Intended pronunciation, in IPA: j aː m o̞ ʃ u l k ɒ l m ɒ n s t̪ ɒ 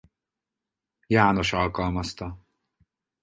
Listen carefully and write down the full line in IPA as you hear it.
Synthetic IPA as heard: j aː n o̞ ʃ ɒ l k ɒ l m ɒ s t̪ ɒ

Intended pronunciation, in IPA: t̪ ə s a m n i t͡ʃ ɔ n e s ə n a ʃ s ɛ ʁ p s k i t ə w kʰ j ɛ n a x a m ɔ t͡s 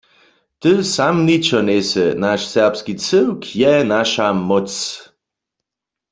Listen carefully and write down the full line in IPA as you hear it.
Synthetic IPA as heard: t̪ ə s a m n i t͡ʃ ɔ n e s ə n a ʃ s ɛ ʁ p s k i t͡s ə w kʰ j ɛ n a ʃ a m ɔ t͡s

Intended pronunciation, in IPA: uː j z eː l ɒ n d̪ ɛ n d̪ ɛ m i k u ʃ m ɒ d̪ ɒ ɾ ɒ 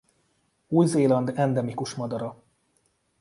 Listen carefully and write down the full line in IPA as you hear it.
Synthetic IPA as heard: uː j z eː l ɒ n d̪ ɛ n d̪ ɛ m i k u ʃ m ɒ d̪ ɒ ɾ ɒ

